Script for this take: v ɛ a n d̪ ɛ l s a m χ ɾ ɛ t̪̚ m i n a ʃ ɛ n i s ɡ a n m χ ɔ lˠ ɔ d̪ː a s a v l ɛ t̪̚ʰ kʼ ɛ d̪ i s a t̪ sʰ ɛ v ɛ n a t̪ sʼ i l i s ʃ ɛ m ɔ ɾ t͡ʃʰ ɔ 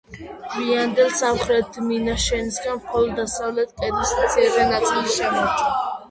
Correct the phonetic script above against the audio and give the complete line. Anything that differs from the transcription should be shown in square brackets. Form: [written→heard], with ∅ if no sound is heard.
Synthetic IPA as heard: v [ɛ→i] a n d̪ ɛ l s a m χ ɾ ɛ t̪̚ m i n a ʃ ɛ n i s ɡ a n m χ ɔ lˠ ɔ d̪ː a s a v l ɛ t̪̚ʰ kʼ ɛ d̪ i s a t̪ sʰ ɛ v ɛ n a t̪ sʼ i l i s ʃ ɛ m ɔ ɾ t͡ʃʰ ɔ

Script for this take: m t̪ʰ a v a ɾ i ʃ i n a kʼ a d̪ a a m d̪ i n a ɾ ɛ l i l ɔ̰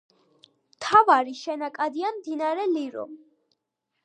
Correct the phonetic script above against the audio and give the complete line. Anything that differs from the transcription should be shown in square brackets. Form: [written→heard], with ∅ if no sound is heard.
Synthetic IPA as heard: m t̪ʰ a v a ɾ i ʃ [i→ɛ] n a kʼ a d̪ [a→i] a m d̪ i n a ɾ ɛ l i [l→ɾ] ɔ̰

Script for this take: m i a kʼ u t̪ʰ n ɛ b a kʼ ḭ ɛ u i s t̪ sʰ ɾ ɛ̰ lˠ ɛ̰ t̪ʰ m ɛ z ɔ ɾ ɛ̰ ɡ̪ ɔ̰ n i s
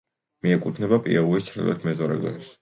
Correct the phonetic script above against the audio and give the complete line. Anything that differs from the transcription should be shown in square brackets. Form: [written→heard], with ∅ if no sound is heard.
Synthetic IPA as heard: m i [a→ɛ] kʼ u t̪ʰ n ɛ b a [kʼ→pʼ] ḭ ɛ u i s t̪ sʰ ɾ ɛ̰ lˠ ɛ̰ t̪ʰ m ɛ z ɔ ɾ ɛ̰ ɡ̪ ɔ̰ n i s

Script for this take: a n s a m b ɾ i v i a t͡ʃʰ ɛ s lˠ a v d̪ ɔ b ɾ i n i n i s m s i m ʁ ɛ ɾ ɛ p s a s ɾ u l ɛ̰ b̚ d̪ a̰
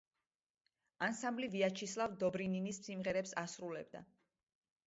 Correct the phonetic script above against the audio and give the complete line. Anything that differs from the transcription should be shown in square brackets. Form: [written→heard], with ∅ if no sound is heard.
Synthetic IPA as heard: a n s a m b [ɾ→l] i v i a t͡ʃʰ [ɛ→i] s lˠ a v d̪ ɔ b ɾ i n i n i s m s i m ʁ ɛ ɾ ɛ p s a s ɾ u l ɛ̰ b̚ d̪ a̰

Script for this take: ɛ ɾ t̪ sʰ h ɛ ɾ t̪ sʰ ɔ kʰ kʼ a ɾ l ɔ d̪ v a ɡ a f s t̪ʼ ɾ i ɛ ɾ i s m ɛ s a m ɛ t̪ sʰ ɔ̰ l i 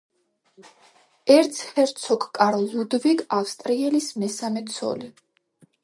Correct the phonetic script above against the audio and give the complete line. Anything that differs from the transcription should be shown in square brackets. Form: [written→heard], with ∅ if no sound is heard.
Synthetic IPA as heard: ɛ ɾ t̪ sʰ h ɛ ɾ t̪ sʰ ɔ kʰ kʼ a ɾ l [ɔ→u] d̪ v [a→i] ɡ a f s t̪ʼ ɾ i ɛ [ɾ→l] i s m ɛ s a m ɛ t̪ sʰ ɔ̰ l i

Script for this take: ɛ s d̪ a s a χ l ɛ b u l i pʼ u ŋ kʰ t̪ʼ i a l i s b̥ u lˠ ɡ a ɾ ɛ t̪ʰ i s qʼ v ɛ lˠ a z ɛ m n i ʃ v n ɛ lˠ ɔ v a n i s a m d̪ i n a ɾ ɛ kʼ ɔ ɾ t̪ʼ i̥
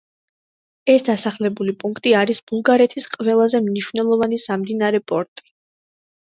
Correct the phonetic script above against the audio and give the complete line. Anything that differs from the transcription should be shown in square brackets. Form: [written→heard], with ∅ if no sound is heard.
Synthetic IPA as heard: ɛ s d̪ a s a χ l ɛ b u l i pʼ u ŋ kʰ t̪ʼ i a [l→ɾ] i s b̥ u lˠ ɡ a ɾ ɛ t̪ʰ i s qʼ v ɛ lˠ a z ɛ m n i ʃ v n ɛ lˠ ɔ v a n i s a m d̪ i n a ɾ ɛ [kʼ→pʼ] ɔ ɾ t̪ʼ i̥

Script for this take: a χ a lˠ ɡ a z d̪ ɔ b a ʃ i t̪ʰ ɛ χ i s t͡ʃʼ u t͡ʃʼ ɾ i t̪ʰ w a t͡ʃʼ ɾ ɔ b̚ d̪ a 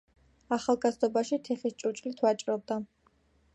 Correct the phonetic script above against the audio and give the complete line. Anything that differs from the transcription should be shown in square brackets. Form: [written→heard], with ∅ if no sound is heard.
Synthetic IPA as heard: a χ a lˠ ɡ a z d̪ ɔ b a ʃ i t̪ʰ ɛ χ i s t͡ʃʼ u t͡ʃʼ [ɾ→l] i t̪ʰ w a t͡ʃʼ ɾ ɔ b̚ d̪ a

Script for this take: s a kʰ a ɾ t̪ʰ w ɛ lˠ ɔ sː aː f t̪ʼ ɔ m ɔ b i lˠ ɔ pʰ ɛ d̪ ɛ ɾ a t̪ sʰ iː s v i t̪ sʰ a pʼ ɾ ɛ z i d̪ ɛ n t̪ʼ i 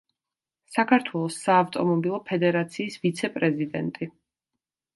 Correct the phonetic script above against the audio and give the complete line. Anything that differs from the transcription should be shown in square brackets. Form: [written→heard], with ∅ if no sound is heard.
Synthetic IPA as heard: s a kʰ a ɾ t̪ʰ w ɛ lˠ ɔ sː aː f t̪ʼ ɔ m ɔ b i lˠ ɔ pʰ ɛ d̪ ɛ ɾ a t̪ sʰ iː s v i t̪ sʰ [a→ɛ] pʼ ɾ ɛ z i d̪ ɛ n t̪ʼ i

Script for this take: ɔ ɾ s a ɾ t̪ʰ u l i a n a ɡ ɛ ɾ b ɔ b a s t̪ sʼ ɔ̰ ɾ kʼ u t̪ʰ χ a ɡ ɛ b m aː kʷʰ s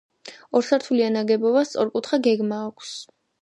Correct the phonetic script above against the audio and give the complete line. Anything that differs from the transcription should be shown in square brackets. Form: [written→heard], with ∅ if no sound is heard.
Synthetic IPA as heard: ɔ ɾ s a ɾ t̪ʰ u l i a n a ɡ ɛ [ɾ→∅] b ɔ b a s t̪ sʼ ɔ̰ ɾ kʼ u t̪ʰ χ a ɡ ɛ [b→ɡ] m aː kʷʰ s

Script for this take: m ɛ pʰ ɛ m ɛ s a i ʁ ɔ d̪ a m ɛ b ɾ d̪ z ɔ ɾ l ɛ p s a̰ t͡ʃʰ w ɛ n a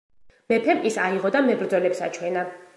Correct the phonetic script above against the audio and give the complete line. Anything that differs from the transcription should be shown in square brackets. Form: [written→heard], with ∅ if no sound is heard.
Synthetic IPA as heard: m ɛ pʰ ɛ m [ɛ→i] s a i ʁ ɔ d̪ a m ɛ b ɾ d̪ z ɔ [ɾ→∅] l ɛ p s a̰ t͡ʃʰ w ɛ n a

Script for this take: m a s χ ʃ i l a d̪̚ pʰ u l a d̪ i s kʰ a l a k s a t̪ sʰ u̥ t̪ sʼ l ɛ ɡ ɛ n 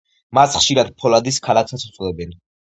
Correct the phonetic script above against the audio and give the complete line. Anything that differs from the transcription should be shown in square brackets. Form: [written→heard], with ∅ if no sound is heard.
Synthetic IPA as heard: m a s χ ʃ i [l→ɾ] a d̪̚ pʰ [u→ɔ] l a d̪ i s kʰ a l a k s a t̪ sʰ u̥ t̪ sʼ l ɛ [ɡ→b] ɛ n

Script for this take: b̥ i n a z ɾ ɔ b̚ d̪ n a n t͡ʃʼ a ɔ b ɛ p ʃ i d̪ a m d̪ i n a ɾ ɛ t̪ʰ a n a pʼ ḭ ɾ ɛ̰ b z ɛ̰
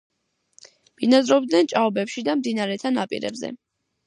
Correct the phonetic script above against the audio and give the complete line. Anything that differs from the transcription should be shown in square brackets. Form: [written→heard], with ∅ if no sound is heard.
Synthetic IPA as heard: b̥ i n a z ɾ ɔ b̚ d̪ n [a→ɛ] n t͡ʃʼ a ɔ b ɛ p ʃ i d̪ a m d̪ i n a ɾ ɛ t̪ʰ a n a pʼ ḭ ɾ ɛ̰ b z ɛ̰

